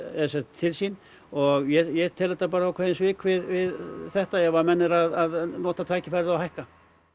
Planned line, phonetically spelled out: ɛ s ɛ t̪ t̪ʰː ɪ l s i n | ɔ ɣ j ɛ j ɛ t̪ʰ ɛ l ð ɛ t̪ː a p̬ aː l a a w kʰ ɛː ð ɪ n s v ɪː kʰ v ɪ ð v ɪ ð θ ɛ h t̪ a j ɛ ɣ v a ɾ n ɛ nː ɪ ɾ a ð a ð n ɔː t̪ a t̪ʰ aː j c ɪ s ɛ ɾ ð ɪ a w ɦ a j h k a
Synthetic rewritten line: ɛ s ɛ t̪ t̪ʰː ɪ l s i n | ɔ ɣ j ɛ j ɛ t̪ʰ ɛ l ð ɛ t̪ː a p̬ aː ɾ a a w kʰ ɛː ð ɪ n s v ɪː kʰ v ɪ ð v ɪ ð θ ɛ h t̪ a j ɛ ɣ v a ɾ m ɛ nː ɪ ɾ a ð a ð n ɔː t̪ a t̪ʰ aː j c ɪ f ɛ ɾ ð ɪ a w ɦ a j h k a